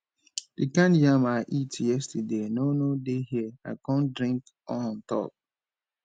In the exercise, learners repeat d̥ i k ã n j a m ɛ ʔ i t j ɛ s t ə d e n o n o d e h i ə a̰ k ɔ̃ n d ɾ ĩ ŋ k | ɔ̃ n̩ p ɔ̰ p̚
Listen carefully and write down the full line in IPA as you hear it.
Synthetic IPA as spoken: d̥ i k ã n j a m a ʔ i t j ɛ s t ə d e n o n o d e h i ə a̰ k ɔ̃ n d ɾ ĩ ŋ k | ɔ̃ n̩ t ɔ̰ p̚